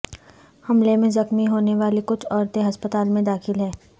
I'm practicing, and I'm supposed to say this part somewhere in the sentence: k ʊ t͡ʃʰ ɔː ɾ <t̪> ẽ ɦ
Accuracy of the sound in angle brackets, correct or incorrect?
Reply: correct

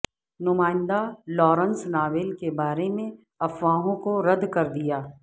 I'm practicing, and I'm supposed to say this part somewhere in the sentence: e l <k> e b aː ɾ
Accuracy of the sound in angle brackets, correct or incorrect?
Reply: correct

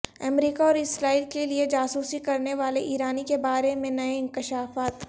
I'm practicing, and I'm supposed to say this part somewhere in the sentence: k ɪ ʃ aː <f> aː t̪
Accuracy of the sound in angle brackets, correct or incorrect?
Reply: correct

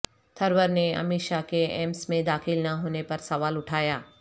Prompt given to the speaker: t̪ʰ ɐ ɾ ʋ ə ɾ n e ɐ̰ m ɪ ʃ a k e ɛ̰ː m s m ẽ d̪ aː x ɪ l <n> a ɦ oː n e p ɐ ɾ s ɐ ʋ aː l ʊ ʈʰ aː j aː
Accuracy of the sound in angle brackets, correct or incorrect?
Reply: correct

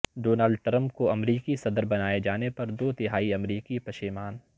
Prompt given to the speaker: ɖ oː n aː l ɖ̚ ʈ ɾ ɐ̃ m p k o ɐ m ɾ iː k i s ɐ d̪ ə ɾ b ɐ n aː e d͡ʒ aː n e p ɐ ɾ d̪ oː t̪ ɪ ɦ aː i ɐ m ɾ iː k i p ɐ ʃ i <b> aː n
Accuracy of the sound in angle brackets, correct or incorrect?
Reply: incorrect: m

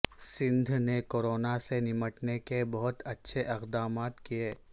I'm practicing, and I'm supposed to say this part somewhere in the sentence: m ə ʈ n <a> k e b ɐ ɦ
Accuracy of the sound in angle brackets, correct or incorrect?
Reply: incorrect: e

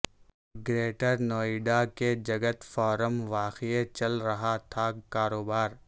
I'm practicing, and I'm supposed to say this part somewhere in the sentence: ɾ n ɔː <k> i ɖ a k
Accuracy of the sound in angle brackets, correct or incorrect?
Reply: incorrect: none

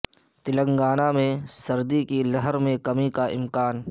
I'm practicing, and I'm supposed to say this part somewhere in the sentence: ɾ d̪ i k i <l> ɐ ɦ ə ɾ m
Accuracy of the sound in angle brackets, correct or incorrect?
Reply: correct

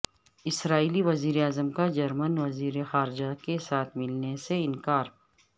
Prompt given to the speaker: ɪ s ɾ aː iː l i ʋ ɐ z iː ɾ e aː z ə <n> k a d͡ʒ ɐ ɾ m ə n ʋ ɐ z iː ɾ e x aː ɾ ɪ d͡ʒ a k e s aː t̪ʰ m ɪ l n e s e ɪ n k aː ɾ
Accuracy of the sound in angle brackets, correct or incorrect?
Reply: incorrect: m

